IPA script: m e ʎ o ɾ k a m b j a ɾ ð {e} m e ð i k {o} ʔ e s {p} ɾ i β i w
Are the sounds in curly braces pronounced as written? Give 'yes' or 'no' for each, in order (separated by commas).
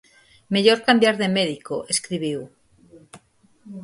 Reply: yes, yes, no